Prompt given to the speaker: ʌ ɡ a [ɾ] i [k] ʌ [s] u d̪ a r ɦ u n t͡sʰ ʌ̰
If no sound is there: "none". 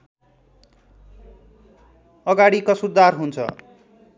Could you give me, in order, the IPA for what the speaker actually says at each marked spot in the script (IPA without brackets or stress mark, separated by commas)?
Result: ɽ, k, s